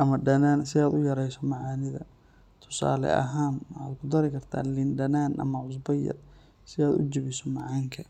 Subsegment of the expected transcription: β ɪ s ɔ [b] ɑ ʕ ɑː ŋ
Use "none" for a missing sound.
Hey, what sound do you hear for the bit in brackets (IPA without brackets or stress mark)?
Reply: m